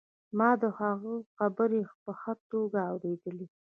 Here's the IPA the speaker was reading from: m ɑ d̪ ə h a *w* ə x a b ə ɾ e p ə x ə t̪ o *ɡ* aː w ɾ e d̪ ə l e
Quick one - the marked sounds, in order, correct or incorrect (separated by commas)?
incorrect, correct